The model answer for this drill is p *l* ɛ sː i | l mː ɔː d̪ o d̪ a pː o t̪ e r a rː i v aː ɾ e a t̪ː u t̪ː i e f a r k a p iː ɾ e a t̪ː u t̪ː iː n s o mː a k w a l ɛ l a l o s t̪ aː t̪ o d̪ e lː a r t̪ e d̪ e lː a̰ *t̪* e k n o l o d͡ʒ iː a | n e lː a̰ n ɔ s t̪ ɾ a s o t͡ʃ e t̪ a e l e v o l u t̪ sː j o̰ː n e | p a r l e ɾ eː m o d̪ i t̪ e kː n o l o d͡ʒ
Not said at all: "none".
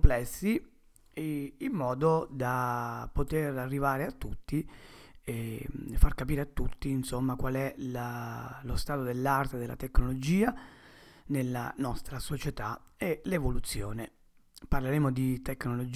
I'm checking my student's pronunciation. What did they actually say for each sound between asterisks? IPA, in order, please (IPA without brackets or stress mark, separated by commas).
l, t̪